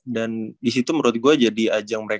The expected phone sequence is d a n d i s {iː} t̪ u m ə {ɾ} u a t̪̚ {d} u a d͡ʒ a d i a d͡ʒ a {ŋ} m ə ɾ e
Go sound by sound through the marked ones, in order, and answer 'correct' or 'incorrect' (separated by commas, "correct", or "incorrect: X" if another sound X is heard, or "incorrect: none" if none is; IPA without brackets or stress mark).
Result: incorrect: i, correct, incorrect: ɡ, correct